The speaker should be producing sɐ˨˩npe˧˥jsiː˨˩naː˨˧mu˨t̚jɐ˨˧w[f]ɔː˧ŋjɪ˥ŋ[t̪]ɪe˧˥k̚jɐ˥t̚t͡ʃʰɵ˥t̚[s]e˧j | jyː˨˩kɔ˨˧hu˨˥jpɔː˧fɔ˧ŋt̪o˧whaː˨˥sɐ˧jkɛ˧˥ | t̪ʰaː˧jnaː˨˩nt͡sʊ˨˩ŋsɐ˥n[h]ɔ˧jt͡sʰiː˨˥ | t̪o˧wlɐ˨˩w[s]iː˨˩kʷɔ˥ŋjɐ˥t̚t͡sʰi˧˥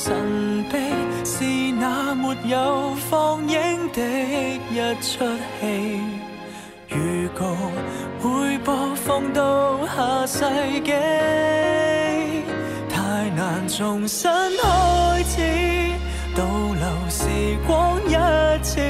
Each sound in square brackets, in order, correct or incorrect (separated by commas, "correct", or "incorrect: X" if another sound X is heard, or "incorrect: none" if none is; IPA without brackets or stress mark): correct, correct, incorrect: h, correct, correct